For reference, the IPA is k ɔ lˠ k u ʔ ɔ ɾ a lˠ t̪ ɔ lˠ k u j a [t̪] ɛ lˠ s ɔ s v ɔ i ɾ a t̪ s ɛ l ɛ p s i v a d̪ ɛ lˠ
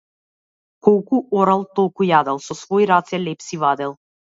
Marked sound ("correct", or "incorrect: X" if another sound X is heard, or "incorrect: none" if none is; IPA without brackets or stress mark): incorrect: d̪